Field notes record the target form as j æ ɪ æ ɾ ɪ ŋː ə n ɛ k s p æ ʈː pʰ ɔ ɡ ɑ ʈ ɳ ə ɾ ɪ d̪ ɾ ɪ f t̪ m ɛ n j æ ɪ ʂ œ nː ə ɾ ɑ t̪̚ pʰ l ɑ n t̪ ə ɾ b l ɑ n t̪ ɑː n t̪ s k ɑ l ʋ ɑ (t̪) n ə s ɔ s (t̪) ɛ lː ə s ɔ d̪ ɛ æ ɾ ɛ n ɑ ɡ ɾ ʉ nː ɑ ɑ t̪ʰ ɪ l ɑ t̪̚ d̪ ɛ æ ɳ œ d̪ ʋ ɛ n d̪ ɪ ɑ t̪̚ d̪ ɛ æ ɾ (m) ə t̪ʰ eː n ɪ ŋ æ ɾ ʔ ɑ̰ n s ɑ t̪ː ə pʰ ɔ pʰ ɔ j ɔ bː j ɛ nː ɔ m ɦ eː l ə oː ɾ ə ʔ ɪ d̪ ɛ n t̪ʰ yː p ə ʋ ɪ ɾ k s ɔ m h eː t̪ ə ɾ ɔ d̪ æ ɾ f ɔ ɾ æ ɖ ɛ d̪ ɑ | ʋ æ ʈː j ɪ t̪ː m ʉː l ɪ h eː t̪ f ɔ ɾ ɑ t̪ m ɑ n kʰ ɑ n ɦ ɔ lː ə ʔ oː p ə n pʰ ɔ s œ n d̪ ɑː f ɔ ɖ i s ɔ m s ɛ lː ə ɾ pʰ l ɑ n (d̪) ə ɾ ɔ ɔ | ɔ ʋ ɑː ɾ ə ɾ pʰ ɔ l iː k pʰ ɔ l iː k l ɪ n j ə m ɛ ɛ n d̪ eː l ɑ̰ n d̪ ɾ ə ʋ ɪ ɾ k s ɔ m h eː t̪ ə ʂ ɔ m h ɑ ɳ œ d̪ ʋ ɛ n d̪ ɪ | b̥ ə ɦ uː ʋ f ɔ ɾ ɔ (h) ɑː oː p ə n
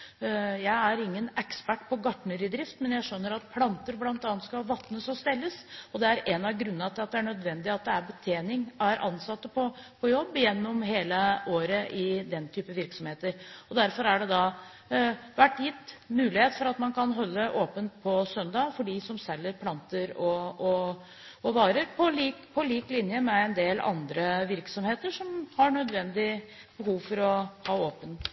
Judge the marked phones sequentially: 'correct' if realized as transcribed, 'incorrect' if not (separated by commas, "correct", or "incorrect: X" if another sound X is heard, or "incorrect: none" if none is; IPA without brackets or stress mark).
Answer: correct, correct, incorrect: b, incorrect: t̪, correct